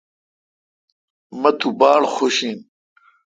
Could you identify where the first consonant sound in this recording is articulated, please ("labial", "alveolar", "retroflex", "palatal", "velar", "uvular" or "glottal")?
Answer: labial